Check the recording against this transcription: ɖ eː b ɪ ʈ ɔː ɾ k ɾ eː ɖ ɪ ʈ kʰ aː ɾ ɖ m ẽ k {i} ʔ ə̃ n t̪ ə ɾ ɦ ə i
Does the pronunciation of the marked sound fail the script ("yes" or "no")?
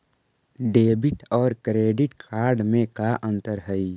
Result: yes